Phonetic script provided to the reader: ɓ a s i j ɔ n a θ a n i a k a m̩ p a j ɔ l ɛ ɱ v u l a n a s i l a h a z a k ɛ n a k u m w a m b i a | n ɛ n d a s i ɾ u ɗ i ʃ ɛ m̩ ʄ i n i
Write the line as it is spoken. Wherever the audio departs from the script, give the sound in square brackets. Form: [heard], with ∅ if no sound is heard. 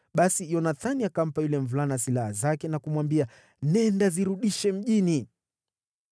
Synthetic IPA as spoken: ɓ a s i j ɔ n a θ a n i a k a m̩ p a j [u] l ɛ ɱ v u l a n a s i l a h a z a k ɛ n a k u m w a m b i a | n ɛ n d a [z] i ɾ u ɗ i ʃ ɛ m̩ ʄ i n i